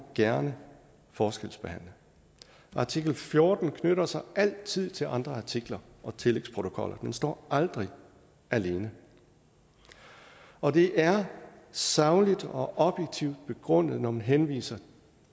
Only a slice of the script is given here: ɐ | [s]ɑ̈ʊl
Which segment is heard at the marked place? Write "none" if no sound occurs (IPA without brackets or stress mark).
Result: s